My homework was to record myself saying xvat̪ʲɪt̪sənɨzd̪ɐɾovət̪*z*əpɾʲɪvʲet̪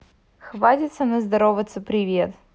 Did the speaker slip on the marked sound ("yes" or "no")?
yes